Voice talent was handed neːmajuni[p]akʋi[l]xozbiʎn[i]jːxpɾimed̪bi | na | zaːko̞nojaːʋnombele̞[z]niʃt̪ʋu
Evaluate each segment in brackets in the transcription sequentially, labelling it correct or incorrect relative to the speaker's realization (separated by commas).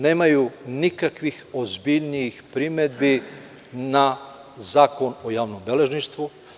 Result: incorrect, incorrect, correct, incorrect